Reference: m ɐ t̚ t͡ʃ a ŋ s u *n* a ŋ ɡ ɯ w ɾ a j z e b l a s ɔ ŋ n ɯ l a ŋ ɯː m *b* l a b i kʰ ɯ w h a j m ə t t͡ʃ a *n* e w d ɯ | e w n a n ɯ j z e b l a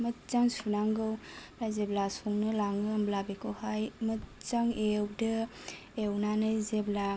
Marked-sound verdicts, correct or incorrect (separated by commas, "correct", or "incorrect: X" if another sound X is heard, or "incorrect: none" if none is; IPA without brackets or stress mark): correct, correct, incorrect: ŋ